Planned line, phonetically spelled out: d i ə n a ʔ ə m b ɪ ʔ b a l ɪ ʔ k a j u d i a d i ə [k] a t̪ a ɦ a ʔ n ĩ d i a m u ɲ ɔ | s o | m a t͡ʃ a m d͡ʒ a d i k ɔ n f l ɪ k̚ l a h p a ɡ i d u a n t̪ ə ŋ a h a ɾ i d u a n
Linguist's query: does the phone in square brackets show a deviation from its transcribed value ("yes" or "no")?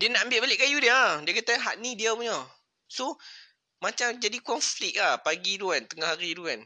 no